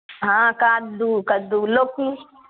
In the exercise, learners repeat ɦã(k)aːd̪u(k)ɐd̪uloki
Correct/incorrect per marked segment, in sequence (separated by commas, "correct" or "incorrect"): correct, correct